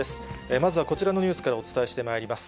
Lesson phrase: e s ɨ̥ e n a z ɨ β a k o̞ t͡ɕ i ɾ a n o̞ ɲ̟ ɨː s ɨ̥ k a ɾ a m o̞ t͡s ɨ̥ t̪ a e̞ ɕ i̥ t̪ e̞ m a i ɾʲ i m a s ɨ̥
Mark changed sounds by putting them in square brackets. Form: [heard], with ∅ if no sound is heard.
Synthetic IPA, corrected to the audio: e s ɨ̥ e [m] a z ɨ β a k o̞ t͡ɕ i ɾ a n o̞ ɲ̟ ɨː s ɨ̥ k a ɾ a [∅] o̞ t͡s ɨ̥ t̪ a e̞ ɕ i̥ t̪ e̞ m a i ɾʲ i m a s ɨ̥